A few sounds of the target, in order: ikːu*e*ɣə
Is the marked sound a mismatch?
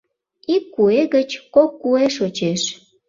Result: no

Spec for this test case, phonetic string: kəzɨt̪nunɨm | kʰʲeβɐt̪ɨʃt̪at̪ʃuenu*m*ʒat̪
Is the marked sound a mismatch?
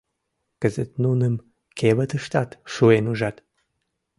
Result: yes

